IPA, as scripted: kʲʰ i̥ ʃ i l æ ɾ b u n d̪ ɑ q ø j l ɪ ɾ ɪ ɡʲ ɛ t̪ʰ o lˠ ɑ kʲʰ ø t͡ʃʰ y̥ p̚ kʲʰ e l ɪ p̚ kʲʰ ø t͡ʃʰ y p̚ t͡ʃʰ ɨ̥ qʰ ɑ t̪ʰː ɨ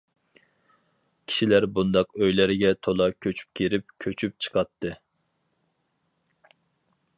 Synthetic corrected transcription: kʲʰ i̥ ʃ i l æ ɾ b u n d̪ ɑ q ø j l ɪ ɾ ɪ ɡʲ ɛ t̪ʰ o lˠ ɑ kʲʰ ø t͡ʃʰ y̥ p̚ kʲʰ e ɾ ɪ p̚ kʲʰ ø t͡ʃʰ y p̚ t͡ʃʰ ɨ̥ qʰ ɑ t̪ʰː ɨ